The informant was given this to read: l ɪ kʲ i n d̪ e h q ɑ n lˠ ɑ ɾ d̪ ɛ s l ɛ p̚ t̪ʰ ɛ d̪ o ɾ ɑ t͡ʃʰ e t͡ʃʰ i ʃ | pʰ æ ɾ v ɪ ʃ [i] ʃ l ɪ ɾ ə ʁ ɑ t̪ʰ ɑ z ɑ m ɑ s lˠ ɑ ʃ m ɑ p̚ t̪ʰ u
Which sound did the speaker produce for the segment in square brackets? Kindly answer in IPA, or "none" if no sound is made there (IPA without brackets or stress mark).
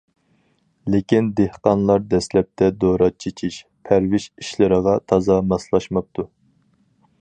i